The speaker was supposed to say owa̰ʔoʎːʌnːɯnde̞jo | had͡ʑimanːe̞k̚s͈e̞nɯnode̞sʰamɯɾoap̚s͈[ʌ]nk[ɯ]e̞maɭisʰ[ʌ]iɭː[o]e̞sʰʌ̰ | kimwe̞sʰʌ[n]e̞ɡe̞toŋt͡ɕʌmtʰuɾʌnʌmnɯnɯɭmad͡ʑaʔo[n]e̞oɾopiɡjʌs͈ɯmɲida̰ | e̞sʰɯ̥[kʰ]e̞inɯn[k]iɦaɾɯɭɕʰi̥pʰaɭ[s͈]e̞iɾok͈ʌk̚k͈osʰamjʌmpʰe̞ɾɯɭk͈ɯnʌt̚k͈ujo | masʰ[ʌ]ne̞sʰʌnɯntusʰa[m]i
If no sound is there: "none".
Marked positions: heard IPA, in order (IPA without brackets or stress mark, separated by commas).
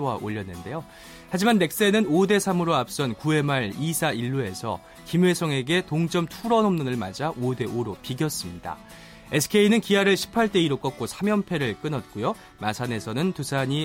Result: ʌ, u, a, u, ŋ, d, kʰ, k, t͈, a, ɲ